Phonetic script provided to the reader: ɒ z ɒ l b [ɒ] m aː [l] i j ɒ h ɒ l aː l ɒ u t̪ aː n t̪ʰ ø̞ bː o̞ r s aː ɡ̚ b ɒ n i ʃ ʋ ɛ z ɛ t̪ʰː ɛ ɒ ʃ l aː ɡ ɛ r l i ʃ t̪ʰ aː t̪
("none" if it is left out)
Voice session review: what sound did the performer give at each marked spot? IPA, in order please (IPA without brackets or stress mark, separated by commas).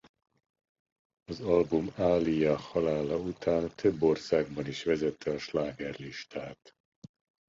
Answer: u, l